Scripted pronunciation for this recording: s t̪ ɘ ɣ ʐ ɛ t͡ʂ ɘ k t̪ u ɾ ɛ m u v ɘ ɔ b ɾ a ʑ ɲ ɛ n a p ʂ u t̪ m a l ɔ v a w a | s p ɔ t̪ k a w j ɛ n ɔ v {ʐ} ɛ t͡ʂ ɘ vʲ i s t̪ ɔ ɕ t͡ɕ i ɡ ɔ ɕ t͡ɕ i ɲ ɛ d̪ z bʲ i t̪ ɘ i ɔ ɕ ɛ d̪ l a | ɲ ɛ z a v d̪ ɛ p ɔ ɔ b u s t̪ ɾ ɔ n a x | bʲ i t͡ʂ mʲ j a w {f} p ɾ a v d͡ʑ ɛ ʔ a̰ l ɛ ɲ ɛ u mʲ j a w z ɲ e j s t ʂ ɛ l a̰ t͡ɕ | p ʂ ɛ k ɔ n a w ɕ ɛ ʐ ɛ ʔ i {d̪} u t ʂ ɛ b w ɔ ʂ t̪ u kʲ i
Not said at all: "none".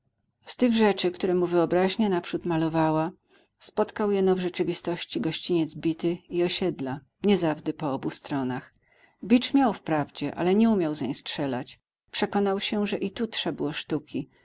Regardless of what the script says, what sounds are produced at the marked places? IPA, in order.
ʐ, f, t̪

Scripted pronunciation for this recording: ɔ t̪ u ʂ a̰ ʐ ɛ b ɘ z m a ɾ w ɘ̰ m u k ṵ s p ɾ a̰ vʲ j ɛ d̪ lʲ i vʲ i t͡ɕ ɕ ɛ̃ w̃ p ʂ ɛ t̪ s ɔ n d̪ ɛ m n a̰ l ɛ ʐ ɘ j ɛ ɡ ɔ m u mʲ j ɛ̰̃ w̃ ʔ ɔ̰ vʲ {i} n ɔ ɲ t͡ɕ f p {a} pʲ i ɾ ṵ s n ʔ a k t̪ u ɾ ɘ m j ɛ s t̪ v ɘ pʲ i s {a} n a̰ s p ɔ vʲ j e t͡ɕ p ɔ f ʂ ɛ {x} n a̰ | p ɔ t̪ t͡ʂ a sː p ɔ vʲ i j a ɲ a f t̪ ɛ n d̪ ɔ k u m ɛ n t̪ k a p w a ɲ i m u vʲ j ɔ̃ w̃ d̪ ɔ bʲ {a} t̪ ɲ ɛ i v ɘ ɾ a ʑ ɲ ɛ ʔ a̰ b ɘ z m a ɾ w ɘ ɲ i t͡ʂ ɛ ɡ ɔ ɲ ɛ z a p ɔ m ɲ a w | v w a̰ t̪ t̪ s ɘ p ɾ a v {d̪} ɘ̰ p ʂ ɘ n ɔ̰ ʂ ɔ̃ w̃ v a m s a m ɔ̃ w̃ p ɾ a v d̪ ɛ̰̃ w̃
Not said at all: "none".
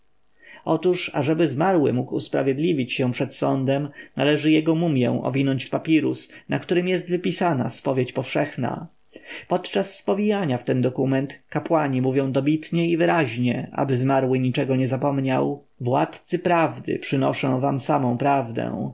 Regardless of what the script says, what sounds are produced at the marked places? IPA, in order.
i, a, a, x, i, d̪

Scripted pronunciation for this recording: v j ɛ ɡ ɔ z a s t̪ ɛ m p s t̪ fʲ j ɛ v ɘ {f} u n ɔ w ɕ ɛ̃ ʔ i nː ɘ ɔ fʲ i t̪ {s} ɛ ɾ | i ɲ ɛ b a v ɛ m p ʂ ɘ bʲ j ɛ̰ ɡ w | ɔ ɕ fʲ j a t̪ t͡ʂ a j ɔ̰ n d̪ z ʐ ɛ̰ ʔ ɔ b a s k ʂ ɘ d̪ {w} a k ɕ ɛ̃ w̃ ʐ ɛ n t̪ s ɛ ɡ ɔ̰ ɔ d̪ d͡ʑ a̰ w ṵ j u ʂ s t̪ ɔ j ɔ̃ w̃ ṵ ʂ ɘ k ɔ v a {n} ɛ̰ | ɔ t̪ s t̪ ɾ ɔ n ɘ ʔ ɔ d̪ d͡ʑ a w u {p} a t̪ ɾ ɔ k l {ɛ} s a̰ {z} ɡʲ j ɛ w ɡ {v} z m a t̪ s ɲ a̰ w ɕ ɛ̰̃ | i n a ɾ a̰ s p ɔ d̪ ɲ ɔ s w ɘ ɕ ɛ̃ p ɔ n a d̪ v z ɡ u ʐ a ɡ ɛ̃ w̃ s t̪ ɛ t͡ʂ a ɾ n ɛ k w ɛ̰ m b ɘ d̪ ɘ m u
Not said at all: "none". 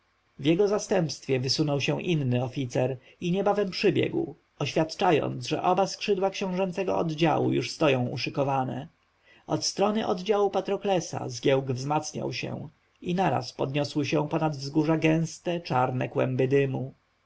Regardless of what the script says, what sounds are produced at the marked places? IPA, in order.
s, s, w, n, p, ɛ, z, v

